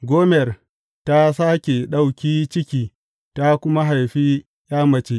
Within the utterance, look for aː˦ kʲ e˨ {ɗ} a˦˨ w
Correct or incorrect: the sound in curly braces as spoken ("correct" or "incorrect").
correct